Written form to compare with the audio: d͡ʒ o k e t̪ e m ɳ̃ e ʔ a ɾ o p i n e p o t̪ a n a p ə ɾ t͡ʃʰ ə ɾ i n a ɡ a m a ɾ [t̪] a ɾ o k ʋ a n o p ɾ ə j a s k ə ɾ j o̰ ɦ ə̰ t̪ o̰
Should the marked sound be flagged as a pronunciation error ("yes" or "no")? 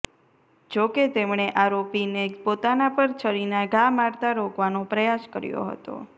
no